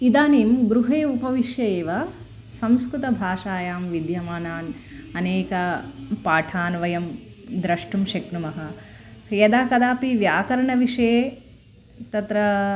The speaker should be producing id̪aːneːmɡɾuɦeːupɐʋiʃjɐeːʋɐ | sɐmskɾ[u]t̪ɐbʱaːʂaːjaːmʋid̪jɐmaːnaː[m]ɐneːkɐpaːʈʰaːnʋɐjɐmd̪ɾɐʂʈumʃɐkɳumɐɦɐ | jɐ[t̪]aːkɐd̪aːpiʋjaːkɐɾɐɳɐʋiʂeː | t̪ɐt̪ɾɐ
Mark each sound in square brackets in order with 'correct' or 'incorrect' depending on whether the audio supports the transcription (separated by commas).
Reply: correct, incorrect, incorrect